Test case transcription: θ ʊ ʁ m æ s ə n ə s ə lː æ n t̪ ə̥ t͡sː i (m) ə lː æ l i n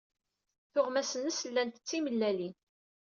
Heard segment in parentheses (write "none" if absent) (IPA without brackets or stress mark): m